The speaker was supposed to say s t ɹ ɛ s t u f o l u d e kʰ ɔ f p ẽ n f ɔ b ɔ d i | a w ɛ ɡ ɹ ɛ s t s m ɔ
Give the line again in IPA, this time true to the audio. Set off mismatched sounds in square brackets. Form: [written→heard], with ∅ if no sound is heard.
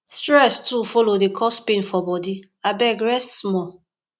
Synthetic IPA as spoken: s t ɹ ɛ s t u f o l [u→o] d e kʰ ɔ [f→s] p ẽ n f ɔ b ɔ d i | a [w→b] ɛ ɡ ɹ ɛ s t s m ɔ

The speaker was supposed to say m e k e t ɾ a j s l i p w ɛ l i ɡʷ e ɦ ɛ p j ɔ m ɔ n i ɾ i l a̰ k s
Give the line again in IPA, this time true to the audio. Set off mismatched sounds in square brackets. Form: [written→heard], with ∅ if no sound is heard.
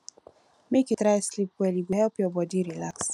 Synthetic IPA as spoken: m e k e t ɾ a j s l i p w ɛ l i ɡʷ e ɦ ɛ p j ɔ [m→b] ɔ [n→d] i ɾ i l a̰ k s

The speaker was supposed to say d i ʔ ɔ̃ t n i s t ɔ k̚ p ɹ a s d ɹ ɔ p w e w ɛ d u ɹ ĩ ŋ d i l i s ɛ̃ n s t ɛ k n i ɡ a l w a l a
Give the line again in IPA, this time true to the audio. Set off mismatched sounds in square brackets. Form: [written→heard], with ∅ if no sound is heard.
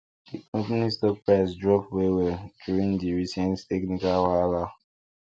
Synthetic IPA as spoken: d i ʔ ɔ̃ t n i s t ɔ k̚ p ɹ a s d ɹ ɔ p w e w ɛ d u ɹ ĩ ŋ d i [l→ɹ] i s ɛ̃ n [s→t] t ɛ k n i [ɡ→k] a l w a l a

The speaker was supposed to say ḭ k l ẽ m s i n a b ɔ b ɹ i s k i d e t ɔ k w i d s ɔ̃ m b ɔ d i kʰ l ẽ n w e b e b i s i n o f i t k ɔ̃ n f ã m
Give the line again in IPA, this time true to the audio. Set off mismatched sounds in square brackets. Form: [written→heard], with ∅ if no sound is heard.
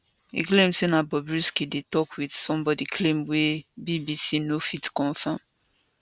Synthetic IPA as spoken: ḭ k l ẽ m s [i→e] n a b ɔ b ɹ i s k i d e t ɔ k w i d s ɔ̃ m b ɔ d i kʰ l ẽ [n→m] w e b [e→i] b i s i n o f i t k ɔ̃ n f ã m

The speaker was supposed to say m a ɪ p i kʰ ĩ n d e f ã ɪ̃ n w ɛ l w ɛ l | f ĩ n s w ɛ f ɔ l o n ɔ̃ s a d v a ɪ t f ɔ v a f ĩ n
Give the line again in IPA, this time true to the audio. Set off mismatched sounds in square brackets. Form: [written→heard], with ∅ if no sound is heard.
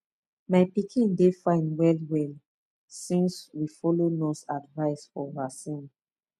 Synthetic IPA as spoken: m a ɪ p i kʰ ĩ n d e f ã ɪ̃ n w ɛ l w ɛ l | [f→s] ĩ n s w [ɛ→i] f ɔ l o n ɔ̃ s a d v a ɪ [t→s] f ɔ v a [f→s] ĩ n

